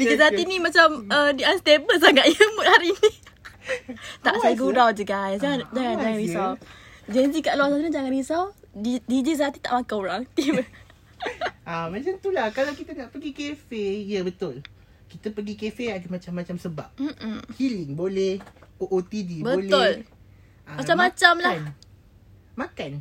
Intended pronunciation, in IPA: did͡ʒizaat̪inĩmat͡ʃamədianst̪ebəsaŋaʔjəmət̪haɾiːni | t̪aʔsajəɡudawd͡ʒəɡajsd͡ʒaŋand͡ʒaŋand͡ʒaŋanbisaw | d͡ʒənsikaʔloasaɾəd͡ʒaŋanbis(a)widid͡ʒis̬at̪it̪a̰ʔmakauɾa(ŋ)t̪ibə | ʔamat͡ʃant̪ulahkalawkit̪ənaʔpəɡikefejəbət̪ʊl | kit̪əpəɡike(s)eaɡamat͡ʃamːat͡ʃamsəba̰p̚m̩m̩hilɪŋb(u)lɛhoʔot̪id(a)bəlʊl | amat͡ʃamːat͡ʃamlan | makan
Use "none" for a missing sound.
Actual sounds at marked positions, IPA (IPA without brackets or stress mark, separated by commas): a, ŋ, f, o, i